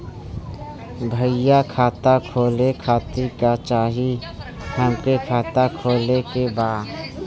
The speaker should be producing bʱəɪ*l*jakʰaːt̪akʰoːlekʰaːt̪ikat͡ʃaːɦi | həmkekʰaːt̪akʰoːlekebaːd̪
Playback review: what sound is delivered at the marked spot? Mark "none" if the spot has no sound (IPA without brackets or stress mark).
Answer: none